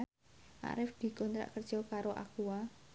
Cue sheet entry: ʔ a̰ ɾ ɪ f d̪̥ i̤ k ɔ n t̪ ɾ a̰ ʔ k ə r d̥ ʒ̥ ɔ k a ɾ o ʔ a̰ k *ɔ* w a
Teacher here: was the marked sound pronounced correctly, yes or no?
no